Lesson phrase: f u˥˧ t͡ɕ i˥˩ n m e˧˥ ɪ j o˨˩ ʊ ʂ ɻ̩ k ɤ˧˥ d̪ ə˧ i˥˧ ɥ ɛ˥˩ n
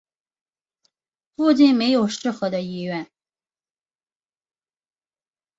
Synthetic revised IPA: f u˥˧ t͡ɕ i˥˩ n m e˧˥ ɪ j o˨˩ ʊ ʂ ɻ̩ x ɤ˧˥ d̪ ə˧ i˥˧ ɥ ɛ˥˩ n